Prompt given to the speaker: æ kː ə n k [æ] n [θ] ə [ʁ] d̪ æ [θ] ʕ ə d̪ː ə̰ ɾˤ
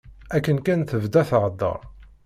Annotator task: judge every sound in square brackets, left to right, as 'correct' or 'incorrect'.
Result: correct, correct, incorrect: v, correct

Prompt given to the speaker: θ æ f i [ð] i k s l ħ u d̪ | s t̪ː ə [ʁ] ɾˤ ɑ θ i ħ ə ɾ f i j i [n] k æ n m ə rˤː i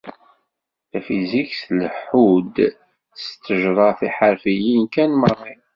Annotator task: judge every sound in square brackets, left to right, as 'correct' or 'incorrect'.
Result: incorrect: z, incorrect: ʒ, correct

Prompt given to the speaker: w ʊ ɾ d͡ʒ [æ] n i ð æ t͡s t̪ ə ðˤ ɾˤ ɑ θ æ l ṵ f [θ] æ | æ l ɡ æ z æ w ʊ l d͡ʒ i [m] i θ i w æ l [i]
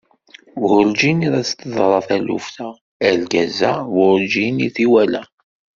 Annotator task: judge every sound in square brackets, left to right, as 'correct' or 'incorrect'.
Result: incorrect: i, correct, incorrect: n, incorrect: æ

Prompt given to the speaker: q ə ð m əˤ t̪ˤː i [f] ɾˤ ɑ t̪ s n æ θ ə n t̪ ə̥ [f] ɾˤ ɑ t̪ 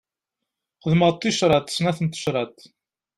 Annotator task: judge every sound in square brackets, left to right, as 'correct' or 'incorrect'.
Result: incorrect: ʃ, incorrect: ʃ

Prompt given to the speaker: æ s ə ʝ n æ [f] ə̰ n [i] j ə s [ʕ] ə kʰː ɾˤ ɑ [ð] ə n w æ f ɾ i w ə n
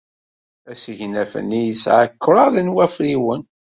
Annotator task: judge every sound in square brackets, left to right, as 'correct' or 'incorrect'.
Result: correct, correct, correct, correct

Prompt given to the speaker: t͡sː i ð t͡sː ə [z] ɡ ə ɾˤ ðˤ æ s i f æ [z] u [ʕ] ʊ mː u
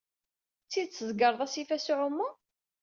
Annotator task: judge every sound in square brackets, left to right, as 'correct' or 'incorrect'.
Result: correct, incorrect: s, correct

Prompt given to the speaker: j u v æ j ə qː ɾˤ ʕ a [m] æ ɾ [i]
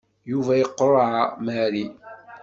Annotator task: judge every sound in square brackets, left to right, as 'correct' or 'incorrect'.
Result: correct, correct

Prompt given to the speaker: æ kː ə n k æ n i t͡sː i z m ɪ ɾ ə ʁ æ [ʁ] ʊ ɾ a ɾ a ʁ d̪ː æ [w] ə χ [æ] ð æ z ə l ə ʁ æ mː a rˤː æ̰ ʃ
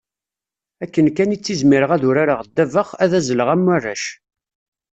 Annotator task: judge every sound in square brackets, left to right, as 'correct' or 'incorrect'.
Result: incorrect: ð, incorrect: v, correct

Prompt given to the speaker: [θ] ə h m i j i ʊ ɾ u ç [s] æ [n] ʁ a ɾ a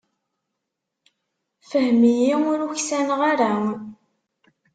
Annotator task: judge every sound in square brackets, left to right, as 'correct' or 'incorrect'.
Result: incorrect: f, correct, correct

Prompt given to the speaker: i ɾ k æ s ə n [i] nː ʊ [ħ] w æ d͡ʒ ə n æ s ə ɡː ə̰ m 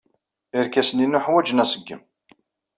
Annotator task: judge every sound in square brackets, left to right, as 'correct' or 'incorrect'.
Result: correct, correct

